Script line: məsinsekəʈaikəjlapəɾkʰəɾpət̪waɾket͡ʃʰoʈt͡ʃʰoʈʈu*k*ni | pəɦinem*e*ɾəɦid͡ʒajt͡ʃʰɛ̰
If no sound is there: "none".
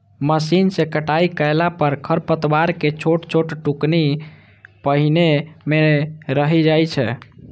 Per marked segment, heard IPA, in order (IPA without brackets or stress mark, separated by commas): k, e